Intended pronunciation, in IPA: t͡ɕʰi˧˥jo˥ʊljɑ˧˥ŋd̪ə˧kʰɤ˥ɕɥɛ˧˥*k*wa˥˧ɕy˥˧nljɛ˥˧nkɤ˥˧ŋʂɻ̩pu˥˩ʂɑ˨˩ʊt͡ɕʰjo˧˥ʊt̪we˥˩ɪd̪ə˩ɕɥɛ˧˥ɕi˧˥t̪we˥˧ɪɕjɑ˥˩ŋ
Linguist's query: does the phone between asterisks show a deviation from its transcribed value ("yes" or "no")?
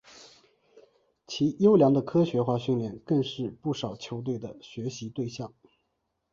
yes